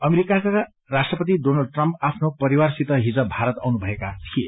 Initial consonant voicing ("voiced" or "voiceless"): voiced